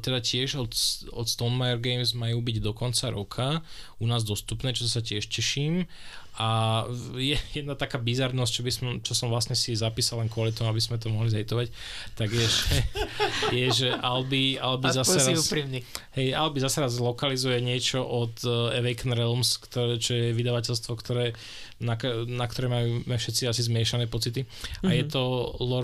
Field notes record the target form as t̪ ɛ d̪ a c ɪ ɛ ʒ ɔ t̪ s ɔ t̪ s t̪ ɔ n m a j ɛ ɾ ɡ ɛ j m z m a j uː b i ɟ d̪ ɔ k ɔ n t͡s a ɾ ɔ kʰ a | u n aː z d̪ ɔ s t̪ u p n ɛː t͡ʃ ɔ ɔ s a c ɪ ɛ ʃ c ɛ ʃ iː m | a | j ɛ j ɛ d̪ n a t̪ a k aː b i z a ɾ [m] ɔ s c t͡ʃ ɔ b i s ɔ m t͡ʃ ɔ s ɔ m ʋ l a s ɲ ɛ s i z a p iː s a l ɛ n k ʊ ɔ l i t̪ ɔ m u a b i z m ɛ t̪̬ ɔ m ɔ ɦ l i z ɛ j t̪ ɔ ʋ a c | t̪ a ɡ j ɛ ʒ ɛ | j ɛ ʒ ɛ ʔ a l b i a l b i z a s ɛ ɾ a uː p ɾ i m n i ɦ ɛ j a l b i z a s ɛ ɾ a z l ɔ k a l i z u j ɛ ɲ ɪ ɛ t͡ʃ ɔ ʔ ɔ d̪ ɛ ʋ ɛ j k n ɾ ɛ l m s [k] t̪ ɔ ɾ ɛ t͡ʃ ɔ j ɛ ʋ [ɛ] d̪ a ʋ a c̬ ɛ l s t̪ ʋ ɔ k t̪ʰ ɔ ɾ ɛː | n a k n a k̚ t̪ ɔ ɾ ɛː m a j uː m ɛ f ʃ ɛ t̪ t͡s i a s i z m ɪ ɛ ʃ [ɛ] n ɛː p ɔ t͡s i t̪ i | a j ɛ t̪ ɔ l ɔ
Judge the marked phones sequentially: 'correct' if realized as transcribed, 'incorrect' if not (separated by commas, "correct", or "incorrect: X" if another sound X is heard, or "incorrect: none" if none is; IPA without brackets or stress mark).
incorrect: n, correct, incorrect: i, incorrect: a